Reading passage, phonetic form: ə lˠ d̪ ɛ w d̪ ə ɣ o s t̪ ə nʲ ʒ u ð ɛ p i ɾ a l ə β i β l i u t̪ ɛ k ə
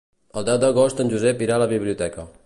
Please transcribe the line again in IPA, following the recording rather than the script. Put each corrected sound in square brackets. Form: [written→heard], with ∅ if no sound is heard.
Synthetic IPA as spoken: ə lˠ d̪ ɛ w d̪ ə ɣ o s t̪ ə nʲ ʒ u [ð→z] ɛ p i ɾ a l ə β i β l i u t̪ ɛ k ə